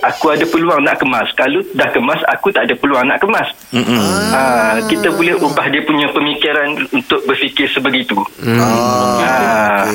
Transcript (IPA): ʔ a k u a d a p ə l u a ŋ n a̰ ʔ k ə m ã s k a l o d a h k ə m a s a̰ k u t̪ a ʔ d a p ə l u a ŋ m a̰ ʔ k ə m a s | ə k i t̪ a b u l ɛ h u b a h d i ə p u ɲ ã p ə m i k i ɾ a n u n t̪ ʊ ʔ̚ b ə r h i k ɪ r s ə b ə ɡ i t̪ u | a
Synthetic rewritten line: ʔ a k u a d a p ə l u a ŋ n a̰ ʔ k ə m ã s k a l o d a h k ə m a s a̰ k u t̪ a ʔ d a p ə l u a ŋ n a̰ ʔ k ə m a s | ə k i t̪ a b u l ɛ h u b a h d i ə p u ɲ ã p ə m i k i ɾ a n u n t̪ ʊ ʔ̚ b ə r f i k ɪ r s ə b ə ɡ i t̪ u | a